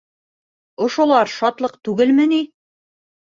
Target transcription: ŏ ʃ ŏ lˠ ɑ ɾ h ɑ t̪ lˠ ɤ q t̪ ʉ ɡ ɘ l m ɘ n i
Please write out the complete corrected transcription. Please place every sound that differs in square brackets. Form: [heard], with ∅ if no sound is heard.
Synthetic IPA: ŏ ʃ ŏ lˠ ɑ ɾ [ʃ] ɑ t̪ lˠ ɤ q t̪ ʉ ɡ ɘ l m ɘ n i